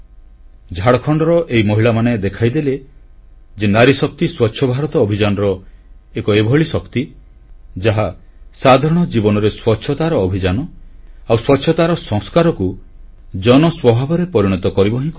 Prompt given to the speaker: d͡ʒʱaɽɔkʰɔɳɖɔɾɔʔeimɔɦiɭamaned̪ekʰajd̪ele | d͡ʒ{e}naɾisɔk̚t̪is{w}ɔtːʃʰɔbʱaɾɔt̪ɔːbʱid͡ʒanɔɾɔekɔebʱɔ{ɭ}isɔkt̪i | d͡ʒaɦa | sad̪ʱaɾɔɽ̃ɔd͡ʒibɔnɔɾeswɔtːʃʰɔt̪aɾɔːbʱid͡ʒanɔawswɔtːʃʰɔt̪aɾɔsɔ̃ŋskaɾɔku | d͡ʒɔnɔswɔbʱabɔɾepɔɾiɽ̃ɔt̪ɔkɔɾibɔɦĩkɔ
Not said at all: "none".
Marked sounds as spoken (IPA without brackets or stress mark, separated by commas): e, w, ɭ